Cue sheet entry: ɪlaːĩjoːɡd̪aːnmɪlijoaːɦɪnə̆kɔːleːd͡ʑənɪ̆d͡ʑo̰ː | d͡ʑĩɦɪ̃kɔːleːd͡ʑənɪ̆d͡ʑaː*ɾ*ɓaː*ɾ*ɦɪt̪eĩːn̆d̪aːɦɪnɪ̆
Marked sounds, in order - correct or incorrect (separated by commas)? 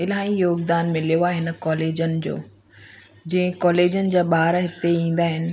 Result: incorrect, correct